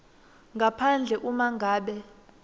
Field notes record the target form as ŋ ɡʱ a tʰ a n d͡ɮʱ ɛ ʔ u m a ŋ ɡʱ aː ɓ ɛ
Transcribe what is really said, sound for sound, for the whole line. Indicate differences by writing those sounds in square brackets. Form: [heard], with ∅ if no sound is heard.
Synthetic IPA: ŋ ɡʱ a [pʰ] a n d͡ɮʱ ɛ ʔ u m a ŋ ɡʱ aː ɓ ɛ